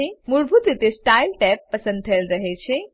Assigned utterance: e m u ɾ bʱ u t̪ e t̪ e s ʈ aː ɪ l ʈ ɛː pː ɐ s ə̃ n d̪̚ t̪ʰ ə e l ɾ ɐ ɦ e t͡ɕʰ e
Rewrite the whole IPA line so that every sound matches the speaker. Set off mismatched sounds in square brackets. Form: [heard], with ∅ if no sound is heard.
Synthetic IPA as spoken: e m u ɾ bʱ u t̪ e t̪ e s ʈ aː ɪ l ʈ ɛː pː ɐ s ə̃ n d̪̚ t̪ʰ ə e l ɾ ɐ ɦ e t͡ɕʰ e